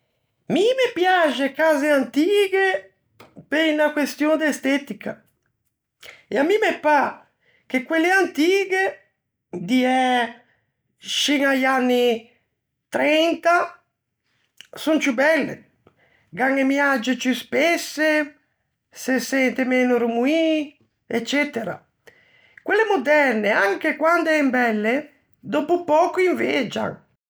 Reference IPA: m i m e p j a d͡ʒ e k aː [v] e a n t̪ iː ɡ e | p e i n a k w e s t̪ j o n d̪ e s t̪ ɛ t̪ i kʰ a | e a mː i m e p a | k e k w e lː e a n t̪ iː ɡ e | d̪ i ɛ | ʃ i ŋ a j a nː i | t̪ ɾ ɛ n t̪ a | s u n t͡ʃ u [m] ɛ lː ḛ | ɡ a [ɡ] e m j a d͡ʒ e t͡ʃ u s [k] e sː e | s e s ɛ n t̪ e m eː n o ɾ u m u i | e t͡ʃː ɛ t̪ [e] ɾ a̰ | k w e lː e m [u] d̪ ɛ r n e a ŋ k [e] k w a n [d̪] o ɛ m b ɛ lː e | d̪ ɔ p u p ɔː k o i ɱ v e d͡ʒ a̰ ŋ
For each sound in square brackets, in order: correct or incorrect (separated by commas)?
incorrect, incorrect, incorrect, incorrect, correct, incorrect, correct, correct